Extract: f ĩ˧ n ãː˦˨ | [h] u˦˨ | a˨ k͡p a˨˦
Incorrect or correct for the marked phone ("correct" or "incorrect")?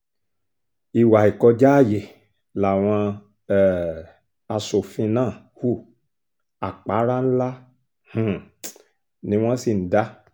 correct